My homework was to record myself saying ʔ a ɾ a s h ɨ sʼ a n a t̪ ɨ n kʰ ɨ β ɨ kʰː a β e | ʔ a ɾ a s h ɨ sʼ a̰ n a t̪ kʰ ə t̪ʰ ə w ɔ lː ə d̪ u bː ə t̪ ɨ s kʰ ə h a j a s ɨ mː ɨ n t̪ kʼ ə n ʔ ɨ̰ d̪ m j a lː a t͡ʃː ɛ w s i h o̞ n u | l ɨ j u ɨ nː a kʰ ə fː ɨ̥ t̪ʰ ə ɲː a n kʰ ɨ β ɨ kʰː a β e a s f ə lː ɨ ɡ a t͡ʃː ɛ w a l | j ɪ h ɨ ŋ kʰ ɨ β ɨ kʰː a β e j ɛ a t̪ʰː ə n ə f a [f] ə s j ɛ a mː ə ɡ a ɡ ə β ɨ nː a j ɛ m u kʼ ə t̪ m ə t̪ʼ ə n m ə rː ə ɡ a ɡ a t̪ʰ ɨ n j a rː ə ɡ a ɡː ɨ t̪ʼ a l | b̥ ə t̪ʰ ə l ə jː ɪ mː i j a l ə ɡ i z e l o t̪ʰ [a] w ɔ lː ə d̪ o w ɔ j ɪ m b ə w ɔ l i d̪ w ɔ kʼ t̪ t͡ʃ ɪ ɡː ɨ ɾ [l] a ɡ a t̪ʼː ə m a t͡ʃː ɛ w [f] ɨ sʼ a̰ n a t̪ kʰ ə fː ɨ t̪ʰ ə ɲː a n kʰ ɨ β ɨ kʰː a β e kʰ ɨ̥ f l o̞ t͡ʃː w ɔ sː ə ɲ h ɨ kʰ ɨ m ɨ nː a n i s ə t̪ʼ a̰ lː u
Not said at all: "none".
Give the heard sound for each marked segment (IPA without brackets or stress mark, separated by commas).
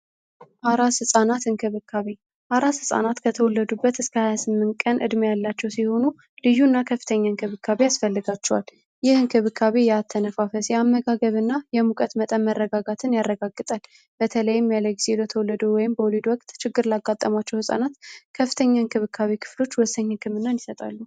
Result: f, ə, l, h